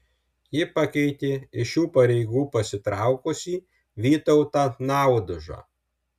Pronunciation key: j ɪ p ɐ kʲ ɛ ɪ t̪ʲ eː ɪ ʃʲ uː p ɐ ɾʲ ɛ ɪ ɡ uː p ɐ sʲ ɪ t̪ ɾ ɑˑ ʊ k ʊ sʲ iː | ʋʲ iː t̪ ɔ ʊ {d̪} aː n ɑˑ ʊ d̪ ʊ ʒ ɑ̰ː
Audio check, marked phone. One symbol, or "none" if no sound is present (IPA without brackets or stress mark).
t̪